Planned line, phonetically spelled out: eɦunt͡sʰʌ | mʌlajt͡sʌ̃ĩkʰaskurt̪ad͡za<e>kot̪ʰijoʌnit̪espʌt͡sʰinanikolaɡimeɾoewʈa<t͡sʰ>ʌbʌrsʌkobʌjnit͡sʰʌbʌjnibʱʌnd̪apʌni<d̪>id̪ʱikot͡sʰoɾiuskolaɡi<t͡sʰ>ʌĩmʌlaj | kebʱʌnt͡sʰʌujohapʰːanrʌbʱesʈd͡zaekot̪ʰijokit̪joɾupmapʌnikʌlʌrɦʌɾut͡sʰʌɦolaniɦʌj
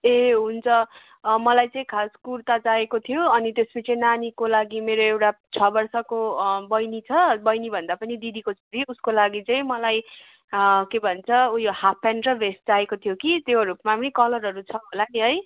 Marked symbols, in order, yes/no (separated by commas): yes, yes, yes, no